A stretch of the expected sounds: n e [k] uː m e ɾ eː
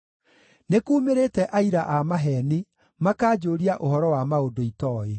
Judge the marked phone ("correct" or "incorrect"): correct